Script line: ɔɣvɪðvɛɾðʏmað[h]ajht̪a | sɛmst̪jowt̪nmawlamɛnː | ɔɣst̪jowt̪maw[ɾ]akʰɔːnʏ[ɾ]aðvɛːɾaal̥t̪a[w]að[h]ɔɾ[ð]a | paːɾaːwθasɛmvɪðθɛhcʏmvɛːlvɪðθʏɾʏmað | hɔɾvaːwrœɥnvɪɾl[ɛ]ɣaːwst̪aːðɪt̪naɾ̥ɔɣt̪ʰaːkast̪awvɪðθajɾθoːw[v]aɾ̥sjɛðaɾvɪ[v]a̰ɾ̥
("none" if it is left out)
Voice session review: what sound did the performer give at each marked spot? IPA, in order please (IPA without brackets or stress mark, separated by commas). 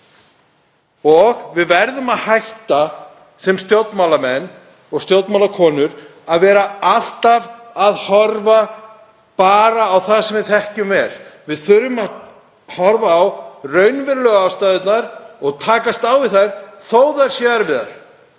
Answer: h, l, ɾ, v, h, v, œ, ð, ð